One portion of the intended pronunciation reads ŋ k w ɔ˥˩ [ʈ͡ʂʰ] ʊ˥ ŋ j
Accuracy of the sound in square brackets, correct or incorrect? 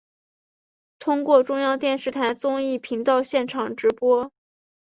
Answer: incorrect: ʈ͡ʂ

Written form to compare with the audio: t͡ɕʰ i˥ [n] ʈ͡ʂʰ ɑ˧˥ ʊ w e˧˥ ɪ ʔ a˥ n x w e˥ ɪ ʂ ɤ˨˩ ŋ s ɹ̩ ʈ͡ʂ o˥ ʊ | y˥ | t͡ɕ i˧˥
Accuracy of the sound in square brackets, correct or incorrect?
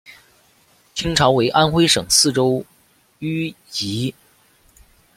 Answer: incorrect: ŋ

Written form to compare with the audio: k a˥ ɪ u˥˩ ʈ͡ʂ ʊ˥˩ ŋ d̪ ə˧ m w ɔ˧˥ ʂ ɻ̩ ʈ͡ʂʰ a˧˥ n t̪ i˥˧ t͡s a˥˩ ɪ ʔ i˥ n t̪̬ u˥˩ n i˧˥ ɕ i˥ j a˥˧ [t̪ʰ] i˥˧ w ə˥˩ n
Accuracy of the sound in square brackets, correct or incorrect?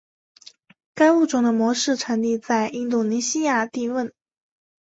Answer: incorrect: t̪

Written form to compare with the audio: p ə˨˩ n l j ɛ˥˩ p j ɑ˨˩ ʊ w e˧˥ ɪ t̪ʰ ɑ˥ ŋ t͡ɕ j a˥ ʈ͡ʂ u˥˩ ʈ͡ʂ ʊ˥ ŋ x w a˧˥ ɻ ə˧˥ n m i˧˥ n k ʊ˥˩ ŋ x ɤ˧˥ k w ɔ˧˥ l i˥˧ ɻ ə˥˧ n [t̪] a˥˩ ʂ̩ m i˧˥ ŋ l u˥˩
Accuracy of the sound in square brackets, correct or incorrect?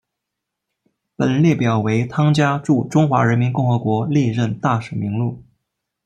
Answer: correct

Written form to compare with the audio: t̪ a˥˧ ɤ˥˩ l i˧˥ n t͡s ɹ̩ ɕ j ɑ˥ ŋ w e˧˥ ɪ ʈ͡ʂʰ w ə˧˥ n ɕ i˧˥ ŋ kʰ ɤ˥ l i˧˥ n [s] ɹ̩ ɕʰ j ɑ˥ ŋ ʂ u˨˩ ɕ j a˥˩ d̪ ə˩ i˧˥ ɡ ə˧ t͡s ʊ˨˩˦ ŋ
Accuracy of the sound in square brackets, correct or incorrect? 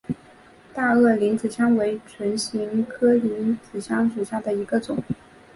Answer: incorrect: t͡s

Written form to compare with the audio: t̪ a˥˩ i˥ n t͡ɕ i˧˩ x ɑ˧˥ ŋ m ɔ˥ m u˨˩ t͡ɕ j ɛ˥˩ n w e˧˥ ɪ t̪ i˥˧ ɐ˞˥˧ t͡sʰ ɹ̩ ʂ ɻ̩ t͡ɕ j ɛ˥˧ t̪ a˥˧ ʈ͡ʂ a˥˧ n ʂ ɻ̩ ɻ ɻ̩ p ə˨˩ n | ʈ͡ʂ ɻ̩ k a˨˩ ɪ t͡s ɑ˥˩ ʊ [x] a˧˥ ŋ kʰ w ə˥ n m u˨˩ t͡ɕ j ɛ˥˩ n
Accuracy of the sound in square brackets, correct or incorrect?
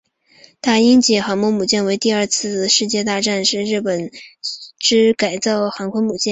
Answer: correct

